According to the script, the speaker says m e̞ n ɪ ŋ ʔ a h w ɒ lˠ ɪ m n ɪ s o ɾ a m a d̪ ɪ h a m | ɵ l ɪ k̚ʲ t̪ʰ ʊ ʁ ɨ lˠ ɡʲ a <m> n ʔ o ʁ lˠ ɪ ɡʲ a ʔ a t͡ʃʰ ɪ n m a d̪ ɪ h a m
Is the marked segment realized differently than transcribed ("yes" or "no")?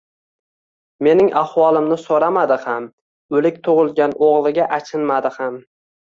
yes